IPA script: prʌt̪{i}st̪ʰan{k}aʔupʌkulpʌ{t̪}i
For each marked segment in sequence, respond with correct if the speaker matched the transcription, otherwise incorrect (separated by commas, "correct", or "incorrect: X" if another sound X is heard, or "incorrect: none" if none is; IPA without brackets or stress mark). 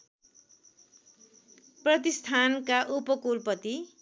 correct, correct, correct